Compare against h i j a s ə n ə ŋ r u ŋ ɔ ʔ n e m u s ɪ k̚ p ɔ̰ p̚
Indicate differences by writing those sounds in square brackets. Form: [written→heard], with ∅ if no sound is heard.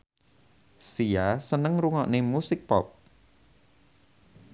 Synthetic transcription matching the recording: [h→s] i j a s ə n ə ŋ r u ŋ ɔ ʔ n e m u s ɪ k̚ p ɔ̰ p̚